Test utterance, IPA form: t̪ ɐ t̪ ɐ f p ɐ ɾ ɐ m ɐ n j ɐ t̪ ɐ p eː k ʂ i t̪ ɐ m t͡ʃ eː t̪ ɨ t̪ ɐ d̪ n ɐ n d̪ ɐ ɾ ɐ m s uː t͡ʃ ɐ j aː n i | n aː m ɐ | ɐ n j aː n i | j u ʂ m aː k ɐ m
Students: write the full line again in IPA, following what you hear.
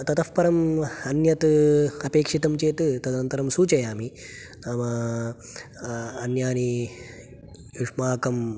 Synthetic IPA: t̪ ɐ t̪ ɐ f p ɐ ɾ ɐ m ɐ n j ɐ t̪ ɐ p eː k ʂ i t̪ ɐ m t͡ʃ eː t̪ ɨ t̪ ɐ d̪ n ɐ n t̪ ɐ ɾ ɐ m s uː t͡ʃ ɐ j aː m i | n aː m ɐ | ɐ n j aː n i | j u ʂ m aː k ɐ m